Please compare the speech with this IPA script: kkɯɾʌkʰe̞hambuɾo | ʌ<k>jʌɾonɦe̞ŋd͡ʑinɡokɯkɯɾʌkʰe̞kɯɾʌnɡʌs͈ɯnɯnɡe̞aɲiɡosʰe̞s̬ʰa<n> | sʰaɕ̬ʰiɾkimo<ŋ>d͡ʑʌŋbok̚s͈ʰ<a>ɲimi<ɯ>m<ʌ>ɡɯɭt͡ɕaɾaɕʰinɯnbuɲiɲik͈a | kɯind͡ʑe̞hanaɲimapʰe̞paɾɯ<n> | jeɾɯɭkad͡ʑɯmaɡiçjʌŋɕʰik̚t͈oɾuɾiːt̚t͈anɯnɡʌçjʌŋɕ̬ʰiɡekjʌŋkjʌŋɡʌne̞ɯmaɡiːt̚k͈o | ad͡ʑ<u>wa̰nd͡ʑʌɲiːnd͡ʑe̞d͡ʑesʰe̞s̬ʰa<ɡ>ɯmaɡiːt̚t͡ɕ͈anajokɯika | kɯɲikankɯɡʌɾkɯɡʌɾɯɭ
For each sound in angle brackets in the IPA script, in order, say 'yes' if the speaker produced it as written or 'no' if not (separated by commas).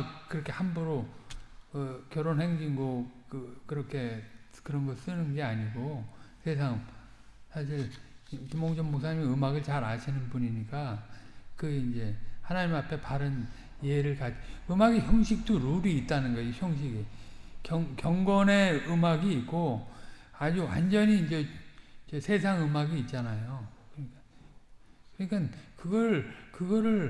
yes, no, yes, yes, yes, no, yes, yes, no